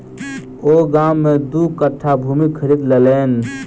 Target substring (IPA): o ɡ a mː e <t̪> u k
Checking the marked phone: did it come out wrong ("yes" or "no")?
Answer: yes